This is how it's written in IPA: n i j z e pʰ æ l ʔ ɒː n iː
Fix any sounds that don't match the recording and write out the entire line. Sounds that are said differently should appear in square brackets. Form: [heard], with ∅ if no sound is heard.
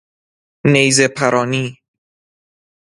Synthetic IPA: n [e] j z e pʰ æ [ɾ] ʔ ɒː n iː